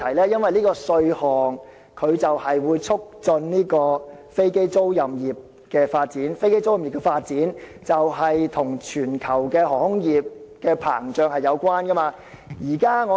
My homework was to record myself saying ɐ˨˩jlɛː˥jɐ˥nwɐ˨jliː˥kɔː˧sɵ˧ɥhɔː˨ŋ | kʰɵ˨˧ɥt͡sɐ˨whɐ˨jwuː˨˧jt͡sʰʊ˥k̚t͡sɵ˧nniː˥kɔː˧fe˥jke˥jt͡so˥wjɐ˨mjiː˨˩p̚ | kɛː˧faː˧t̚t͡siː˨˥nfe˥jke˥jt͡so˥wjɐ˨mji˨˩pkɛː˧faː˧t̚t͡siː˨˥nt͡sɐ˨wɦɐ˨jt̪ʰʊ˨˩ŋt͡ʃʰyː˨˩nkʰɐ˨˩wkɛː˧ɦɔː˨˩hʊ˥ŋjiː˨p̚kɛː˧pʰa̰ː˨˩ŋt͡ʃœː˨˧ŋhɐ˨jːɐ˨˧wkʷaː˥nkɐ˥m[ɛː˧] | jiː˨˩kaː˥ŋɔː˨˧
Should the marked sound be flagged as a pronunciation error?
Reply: yes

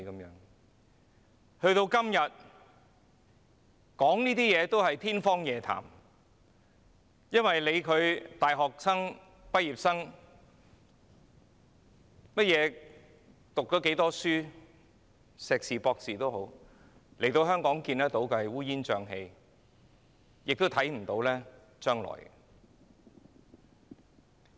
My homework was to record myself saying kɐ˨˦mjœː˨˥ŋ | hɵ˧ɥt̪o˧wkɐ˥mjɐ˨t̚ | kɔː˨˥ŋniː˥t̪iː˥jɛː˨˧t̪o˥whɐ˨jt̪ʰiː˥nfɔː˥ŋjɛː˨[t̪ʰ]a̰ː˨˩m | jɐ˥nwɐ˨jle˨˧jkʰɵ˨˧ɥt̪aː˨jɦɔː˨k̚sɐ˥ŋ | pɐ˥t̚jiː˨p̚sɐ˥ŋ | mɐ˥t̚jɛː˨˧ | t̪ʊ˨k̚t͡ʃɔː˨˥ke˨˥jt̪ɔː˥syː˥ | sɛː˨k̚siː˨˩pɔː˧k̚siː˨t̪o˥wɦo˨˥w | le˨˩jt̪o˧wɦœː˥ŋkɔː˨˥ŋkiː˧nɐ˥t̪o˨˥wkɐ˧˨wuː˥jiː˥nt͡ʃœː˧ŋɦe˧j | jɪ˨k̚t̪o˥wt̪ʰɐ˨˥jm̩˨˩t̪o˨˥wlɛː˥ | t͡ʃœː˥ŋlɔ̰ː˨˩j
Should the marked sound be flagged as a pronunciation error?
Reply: no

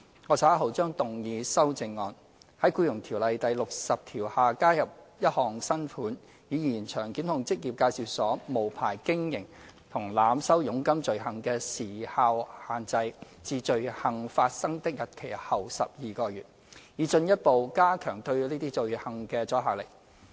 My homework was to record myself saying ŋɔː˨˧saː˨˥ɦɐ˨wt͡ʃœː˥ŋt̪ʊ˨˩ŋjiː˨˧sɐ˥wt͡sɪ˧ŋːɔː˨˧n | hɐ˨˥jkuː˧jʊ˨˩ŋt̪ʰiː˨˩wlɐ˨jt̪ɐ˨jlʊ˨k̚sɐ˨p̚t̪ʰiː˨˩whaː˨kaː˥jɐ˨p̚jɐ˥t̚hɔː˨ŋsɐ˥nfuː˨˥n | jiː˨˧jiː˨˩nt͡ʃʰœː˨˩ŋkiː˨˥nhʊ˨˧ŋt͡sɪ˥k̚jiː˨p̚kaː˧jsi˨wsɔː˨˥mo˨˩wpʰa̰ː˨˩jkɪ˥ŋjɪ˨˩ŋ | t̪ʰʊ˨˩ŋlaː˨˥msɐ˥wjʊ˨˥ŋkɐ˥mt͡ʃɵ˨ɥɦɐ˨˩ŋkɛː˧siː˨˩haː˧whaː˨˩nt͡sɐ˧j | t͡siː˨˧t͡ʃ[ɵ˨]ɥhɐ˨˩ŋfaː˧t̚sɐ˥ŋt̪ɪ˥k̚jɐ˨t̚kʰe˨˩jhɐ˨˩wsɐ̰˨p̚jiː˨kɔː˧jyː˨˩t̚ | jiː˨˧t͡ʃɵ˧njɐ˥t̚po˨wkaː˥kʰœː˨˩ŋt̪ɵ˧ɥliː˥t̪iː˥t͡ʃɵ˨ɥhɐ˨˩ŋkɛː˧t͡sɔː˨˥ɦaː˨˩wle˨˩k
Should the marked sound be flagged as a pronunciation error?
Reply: no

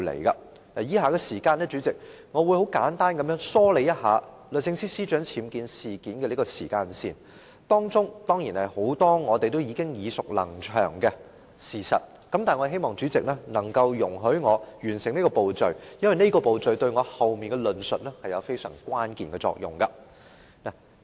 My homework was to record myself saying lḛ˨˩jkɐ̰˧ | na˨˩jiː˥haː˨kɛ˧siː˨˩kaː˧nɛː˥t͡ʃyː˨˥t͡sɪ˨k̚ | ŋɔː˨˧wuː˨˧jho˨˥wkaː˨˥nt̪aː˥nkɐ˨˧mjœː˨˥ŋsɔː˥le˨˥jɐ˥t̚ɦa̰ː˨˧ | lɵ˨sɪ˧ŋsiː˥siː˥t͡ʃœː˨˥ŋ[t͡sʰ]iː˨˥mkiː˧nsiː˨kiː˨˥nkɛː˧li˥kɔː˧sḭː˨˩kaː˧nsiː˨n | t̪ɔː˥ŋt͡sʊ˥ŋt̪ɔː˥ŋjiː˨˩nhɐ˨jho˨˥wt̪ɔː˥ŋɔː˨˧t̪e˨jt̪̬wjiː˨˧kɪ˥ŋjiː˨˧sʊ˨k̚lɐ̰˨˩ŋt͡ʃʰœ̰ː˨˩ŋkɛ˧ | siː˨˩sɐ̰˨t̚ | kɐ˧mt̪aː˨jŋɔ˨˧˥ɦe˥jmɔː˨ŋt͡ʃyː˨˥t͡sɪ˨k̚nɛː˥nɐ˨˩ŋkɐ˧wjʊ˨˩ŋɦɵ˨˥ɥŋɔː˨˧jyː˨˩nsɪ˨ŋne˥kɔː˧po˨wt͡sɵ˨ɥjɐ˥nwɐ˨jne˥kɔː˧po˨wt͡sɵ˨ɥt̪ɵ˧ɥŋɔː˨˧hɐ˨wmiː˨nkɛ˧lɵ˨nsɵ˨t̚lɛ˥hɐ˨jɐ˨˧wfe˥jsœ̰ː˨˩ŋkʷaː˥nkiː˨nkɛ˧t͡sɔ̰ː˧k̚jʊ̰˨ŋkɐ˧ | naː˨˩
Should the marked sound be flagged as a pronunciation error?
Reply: no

